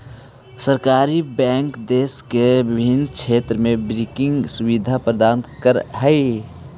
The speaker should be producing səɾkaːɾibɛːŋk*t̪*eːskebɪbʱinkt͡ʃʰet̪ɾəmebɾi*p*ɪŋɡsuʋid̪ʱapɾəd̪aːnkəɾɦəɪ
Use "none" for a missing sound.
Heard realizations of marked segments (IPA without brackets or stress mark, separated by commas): d̪, k